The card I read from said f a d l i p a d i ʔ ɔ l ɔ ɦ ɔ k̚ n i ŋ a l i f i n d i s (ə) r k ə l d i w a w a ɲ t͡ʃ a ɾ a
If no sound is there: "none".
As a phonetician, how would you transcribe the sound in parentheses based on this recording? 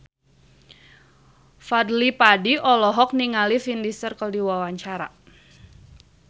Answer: ə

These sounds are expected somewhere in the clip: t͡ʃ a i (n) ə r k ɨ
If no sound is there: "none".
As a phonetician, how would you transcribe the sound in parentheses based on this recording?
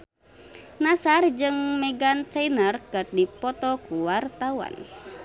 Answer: n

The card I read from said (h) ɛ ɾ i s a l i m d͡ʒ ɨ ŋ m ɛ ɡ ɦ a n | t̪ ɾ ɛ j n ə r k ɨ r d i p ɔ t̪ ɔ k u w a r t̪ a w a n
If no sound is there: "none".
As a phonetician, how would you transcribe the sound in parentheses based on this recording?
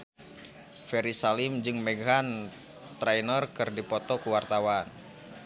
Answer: f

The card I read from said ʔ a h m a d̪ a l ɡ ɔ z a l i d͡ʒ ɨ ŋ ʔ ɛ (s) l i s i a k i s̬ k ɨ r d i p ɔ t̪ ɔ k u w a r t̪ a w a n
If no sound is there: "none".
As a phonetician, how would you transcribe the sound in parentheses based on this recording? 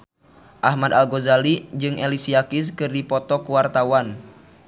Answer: none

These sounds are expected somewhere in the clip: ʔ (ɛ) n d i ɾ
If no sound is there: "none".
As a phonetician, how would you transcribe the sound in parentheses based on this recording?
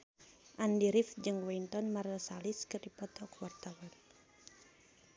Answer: a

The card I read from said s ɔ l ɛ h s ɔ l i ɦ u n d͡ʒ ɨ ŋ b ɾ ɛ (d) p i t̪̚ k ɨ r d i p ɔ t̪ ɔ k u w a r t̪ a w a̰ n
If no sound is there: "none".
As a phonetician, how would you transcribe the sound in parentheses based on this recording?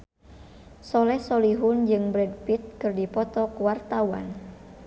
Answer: d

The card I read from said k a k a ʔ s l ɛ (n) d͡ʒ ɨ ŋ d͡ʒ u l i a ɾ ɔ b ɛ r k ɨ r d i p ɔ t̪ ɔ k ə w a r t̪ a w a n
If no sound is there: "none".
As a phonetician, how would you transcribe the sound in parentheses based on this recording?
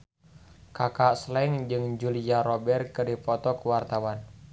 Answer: ŋ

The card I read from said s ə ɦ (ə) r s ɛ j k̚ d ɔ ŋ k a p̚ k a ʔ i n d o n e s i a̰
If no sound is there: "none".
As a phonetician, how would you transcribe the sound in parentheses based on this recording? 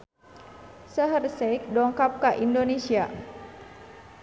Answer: ə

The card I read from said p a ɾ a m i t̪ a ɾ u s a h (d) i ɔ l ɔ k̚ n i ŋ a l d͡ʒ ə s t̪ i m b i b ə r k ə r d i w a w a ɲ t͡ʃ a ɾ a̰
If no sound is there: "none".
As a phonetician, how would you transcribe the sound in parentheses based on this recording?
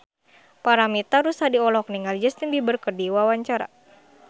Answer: d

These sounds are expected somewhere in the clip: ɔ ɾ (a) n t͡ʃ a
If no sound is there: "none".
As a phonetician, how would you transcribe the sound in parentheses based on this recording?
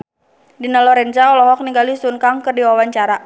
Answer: ɛ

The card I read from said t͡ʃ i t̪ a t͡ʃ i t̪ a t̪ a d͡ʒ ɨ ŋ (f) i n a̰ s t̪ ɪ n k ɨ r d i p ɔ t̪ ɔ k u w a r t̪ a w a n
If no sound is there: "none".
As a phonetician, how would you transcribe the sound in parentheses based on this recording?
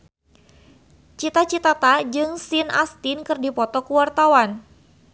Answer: s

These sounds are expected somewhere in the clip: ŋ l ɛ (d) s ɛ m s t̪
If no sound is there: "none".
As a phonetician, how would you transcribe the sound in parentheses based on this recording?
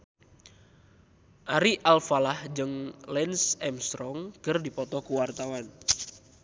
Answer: n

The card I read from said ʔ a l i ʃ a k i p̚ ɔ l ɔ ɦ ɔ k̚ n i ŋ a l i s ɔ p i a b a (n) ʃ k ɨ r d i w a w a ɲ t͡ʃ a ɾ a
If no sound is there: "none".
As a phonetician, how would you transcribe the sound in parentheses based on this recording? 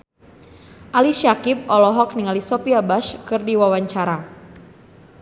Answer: none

